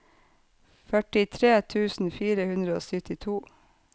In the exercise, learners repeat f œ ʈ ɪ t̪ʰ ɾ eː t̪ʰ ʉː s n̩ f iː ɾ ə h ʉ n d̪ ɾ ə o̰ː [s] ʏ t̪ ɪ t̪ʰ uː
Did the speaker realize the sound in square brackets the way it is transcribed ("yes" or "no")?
yes